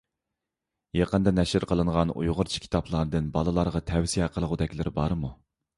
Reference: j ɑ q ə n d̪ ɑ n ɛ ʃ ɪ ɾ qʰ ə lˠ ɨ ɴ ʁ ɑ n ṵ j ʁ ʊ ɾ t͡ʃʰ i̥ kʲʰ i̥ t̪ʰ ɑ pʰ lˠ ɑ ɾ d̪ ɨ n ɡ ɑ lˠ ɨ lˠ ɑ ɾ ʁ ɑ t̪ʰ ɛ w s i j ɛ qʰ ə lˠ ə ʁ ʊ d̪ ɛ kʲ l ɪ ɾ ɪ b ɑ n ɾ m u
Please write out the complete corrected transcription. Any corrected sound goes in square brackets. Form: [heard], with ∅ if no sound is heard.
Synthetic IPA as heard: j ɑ q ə n d̪ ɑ n ɛ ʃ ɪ ɾ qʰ ə lˠ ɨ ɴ ʁ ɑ n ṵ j ʁ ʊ ɾ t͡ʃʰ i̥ kʲʰ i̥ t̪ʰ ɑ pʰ lˠ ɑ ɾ d̪ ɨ n [b] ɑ lˠ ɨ lˠ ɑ ɾ ʁ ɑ t̪ʰ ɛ w s i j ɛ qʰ ə lˠ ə ʁ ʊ d̪ ɛ kʲ l ɪ ɾ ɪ b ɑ [∅] ɾ m u